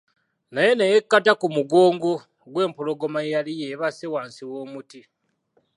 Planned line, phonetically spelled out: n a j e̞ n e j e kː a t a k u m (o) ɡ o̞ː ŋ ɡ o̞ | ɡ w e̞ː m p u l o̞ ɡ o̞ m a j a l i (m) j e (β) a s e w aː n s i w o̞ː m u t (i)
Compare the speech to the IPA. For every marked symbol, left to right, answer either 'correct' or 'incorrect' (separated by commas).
incorrect, incorrect, correct, correct